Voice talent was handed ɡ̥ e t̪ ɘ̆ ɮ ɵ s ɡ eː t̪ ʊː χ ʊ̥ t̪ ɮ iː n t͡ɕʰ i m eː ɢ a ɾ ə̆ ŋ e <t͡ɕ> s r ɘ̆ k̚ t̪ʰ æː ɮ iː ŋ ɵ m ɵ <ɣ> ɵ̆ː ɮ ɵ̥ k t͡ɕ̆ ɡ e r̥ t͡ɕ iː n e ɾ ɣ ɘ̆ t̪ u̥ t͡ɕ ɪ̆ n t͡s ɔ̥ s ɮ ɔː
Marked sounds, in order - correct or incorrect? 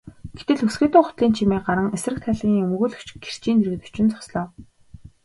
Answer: incorrect: none, correct

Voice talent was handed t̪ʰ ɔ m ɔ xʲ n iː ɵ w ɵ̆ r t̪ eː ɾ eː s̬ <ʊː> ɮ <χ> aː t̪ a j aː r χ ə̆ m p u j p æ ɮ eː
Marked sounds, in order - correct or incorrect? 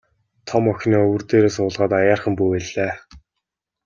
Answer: correct, incorrect: ʁ

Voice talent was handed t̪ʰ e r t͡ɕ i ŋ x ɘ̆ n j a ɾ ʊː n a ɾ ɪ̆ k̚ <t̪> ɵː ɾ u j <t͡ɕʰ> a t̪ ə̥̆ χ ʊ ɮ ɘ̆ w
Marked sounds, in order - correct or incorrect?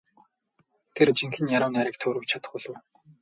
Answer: incorrect: t̪ʰ, correct

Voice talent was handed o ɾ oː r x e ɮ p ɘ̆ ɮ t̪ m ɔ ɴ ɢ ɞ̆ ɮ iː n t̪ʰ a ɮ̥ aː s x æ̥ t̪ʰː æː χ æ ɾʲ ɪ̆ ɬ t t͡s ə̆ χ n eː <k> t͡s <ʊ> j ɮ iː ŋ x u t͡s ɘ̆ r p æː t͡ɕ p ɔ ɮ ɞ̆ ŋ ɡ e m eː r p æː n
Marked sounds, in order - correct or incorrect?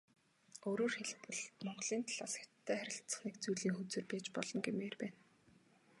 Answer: correct, incorrect: u

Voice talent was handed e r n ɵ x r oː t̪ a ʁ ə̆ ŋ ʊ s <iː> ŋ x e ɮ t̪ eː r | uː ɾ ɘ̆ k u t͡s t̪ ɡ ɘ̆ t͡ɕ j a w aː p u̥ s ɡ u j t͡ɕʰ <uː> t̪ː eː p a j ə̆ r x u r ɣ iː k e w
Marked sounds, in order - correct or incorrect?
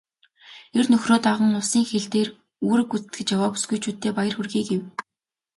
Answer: correct, correct

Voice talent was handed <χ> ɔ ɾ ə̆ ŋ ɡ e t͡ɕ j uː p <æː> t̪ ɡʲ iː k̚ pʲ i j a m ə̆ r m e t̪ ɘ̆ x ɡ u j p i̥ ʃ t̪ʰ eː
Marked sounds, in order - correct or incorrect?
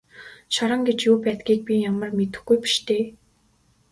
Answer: incorrect: ʃ, correct

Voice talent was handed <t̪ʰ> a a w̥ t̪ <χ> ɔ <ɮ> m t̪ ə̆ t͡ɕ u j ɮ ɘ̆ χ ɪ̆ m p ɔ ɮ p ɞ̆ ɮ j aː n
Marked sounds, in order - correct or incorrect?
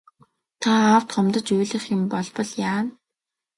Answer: correct, correct, incorrect: none

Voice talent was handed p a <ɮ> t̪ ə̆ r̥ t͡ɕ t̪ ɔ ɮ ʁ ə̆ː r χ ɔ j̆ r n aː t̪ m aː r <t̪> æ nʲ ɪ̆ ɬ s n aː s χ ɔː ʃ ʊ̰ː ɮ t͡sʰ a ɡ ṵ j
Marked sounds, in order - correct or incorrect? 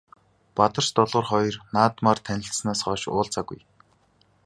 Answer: incorrect: none, incorrect: t̪ʰ

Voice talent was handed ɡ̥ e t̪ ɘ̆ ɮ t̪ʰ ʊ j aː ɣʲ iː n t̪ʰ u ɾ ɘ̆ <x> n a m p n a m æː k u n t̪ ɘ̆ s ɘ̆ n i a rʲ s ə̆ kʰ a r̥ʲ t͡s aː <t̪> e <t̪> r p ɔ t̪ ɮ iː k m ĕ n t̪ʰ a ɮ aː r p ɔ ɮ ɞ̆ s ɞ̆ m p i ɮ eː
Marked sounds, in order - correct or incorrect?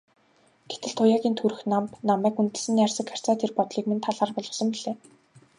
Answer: correct, incorrect: t̪ʰ, incorrect: none

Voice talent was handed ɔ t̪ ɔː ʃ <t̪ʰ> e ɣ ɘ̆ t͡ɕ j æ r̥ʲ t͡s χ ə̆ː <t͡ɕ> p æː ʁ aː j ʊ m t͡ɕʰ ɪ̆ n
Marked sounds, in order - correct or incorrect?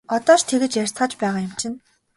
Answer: correct, correct

